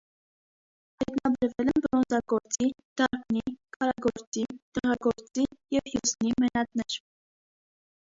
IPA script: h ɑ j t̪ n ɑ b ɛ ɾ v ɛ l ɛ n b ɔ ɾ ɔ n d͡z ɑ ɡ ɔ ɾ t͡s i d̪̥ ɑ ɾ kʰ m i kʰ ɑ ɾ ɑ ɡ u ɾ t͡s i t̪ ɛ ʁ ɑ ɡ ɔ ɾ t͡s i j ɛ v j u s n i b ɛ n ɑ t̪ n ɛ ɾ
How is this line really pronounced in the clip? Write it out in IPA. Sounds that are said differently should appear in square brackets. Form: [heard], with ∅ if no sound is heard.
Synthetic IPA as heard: h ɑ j t̪ n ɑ b ɛ ɾ v ɛ l ɛ n b ɔ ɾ ɔ n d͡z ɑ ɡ ɔ ɾ t͡s i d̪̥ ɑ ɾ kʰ [n] i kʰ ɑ ɾ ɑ ɡ [ɔ] ɾ t͡s i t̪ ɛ ʁ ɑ ɡ ɔ ɾ t͡s i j ɛ v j u s n i [m] ɛ n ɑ t̪ n ɛ ɾ